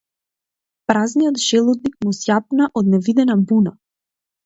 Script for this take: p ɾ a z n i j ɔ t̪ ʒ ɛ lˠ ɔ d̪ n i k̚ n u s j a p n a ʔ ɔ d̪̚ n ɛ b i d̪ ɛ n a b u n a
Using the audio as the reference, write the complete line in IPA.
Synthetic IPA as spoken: p ɾ a z n i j ɔ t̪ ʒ ɛ lˠ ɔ d̪ n i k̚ m u s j a p n a ʔ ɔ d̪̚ n ɛ v i d̪ ɛ n a b u n a

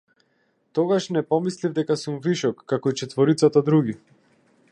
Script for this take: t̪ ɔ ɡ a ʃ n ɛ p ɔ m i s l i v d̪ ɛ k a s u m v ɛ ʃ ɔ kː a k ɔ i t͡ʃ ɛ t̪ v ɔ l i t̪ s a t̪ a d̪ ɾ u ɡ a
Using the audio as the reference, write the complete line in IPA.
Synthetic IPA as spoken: t̪ ɔ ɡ a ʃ n ɛ p ɔ m i s l i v d̪ ɛ k a s u m v i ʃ ɔ kː a k ɔ i t͡ʃ ɛ t̪ v ɔ ɾ i t̪ s a t̪ a d̪ ɾ u ɡ i

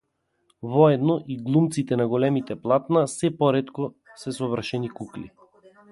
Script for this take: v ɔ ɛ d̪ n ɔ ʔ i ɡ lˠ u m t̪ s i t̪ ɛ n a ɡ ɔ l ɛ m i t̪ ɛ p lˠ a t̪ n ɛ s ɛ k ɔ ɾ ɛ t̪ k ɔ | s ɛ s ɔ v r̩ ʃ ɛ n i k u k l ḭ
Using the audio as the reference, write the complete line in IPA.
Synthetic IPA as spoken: v ɔ ɛ d̪ n ɔ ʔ i ɡ lˠ u m t̪ s i t̪ ɛ n a ɡ ɔ l ɛ m i t̪ ɛ p lˠ a t̪ n a s ɛ p ɔ ɾ ɛ t̪ k ɔ | s ɛ s ɔ v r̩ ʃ ɛ n i k u k l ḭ

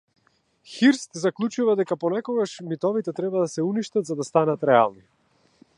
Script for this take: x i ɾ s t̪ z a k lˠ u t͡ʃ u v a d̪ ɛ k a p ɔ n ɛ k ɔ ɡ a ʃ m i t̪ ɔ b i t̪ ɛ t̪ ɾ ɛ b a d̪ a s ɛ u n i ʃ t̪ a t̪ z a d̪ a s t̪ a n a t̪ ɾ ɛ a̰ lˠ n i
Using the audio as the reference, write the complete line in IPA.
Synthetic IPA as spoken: x i ɾ s t̪ z a k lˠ u t͡ʃ u v a d̪ ɛ k a p ɔ n ɛ k ɔ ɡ a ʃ m i t̪ ɔ v i t̪ ɛ t̪ ɾ ɛ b a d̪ a s ɛ u n i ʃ t̪ a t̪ z a d̪ a s t̪ a n a t̪ ɾ ɛ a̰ lˠ n i

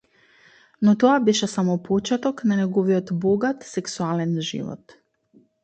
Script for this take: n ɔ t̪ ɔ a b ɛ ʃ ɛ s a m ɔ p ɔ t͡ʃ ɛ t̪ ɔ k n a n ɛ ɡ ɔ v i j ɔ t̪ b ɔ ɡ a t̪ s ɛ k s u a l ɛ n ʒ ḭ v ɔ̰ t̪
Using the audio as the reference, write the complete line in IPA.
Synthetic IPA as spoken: n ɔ t̪ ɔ a b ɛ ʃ ɛ s a m ɔ p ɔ t͡ʃ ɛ t̪ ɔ k n a n ɛ ɡ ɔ v i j ɔ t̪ b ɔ ɡ a t̪ s ɛ k s u a l ɛ n ʒ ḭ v ɔ̰ t̪

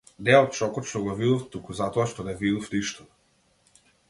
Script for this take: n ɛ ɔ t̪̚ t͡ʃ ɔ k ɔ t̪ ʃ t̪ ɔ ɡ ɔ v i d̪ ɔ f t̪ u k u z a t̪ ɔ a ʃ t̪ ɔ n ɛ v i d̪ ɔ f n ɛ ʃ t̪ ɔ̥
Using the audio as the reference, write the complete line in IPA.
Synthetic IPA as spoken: n ɛ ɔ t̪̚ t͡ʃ ɔ k ɔ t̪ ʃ t̪ ɔ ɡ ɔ v i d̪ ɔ f t̪ u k u z a t̪ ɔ a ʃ t̪ ɔ n ɛ v i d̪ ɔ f n i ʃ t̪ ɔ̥

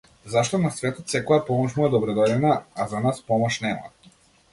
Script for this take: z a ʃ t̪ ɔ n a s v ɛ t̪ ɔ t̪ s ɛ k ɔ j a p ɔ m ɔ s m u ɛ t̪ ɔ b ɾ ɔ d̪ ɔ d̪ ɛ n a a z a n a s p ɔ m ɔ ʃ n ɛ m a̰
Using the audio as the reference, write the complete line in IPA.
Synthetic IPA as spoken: z a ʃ t̪ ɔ n a s v ɛ t̪ ɔ t̪ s ɛ k ɔ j a p ɔ m ɔ ʃ m u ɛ d̪ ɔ b ɾ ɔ d̪ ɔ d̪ ɛ n a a z a n a s p ɔ m ɔ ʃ n ɛ m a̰

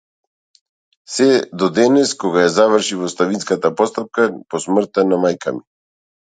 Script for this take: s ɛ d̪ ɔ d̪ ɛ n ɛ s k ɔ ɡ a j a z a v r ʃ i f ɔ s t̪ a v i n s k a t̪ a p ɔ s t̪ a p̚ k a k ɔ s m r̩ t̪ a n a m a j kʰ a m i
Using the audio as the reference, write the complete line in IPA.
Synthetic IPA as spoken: s ɛ d̪ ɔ d̪ ɛ n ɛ s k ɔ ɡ a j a z a v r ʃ i v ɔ s t̪ a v i n s k a t̪ a p ɔ s t̪ a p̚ k a p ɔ s m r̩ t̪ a n a m a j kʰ a m i

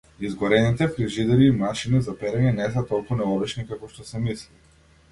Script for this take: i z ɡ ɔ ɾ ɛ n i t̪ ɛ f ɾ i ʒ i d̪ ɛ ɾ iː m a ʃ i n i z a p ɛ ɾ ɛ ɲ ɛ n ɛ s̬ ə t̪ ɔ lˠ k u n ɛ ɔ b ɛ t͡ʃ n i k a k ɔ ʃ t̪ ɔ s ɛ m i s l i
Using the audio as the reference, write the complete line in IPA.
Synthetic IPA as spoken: i z ɡ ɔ ɾ ɛ n i t̪ ɛ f ɾ i ʒ i d̪ ɛ ɾ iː m a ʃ i n i z a p ɛ ɾ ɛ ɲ ɛ n ɛ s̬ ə t̪ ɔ lˠ k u n ɛ ɔ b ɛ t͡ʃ n i k a k ɔ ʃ t̪ ɔ s ɛ m i s l i

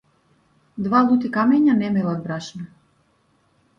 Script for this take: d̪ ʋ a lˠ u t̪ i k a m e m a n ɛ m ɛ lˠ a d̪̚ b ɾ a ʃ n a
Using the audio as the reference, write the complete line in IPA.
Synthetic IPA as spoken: d̪ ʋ a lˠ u t̪ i k a m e ɲ a n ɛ m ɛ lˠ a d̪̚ b ɾ a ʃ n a

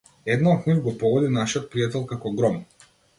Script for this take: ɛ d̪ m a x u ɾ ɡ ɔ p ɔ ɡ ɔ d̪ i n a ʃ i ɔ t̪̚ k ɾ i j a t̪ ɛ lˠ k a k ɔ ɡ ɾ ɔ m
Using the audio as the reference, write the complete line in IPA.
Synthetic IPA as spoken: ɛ d̪ n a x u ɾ ɡ ɔ p ɔ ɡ ɔ d̪ i n a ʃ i ɔ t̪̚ p ɾ i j a t̪ ɛ lˠ k a k ɔ ɡ ɾ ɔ m

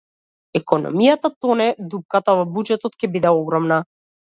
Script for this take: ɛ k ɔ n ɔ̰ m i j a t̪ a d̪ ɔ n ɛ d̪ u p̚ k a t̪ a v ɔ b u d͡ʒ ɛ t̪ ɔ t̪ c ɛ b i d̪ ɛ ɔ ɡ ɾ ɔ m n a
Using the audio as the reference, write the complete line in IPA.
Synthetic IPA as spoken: ɛ k ɔ n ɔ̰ m i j a t̪ a t̪ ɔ n ɛ d̪ u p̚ k a t̪ a v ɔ b u d͡ʒ ɛ t̪ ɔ t̪ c ɛ b i d̪ ɛ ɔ ɡ ɾ ɔ m n a

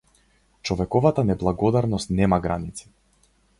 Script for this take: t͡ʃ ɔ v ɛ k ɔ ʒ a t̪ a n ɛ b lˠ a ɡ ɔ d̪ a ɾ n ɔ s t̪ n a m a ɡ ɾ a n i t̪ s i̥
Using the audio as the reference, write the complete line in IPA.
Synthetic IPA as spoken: t͡ʃ ɔ v ɛ k ɔ v a t̪ a n ɛ b lˠ a ɡ ɔ d̪ a ɾ n ɔ s t̪ n ɛ m a ɡ ɾ a n i t̪ s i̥

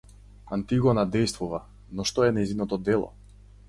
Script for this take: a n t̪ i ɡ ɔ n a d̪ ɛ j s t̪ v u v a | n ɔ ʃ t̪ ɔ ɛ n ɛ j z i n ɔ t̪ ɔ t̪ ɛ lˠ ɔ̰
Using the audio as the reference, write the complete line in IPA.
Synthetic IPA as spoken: a n t̪ i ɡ ɔ n a d̪ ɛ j s t̪ v u v a | n ɔ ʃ t̪ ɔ ɛ n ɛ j z i n ɔ t̪ ɔ d̪ ɛ lˠ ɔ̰

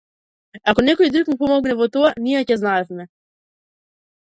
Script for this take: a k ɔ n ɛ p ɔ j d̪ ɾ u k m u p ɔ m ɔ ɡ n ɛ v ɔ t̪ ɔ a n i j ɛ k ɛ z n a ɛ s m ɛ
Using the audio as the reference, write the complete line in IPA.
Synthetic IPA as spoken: a k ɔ n ɛ k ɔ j d̪ ɾ u k m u p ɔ m ɔ ɡ n ɛ v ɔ t̪ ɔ a n i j ɛ c ɛ z n a ɛ f m ɛ

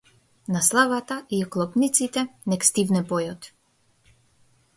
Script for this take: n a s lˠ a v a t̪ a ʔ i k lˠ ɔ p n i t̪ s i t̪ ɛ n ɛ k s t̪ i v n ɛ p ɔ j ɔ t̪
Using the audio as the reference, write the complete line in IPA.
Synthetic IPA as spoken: n a s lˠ a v a t̪ a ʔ i k lˠ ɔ p n i t̪ s i t̪ ɛ n ɛ k s t̪ i v n ɛ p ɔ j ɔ t̪

